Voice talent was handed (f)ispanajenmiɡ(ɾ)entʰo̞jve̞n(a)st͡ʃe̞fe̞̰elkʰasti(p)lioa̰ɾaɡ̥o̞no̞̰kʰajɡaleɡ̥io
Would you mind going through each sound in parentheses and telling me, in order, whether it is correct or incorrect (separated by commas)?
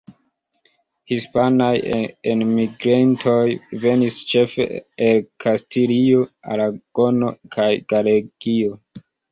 incorrect, correct, incorrect, incorrect